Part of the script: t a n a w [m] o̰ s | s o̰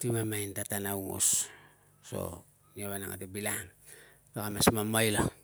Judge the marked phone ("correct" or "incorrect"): incorrect